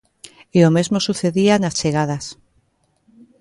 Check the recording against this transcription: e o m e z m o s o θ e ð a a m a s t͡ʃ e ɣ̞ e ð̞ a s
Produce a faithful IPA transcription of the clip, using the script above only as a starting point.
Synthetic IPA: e o m e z m o s u θ e ð i a n a s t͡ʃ e ɣ̞ a ð̞ a s